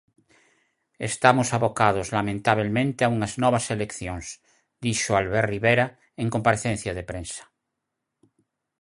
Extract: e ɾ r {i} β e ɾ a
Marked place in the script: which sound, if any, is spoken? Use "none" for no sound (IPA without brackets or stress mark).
i